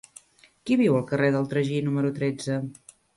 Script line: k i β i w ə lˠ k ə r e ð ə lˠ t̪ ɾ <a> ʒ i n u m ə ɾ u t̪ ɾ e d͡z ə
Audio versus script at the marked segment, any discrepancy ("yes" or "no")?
yes